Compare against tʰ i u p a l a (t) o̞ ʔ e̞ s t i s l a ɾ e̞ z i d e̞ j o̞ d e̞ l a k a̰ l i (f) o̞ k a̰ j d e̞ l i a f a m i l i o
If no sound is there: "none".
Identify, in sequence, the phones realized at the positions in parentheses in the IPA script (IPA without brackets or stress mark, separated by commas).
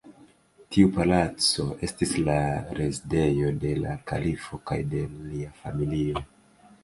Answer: t͡s, f